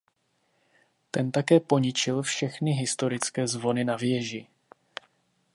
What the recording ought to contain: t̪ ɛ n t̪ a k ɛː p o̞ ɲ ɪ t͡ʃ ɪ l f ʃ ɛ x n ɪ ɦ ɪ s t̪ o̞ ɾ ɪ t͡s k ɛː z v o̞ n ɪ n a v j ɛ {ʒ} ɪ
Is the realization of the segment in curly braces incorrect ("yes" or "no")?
no